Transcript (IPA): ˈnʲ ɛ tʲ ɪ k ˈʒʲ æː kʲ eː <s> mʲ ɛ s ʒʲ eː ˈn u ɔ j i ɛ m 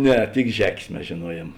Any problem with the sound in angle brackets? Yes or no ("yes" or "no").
no